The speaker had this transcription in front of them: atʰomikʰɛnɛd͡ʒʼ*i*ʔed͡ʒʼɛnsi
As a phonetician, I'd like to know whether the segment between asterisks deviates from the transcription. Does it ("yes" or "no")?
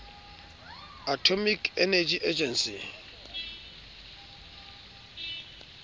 no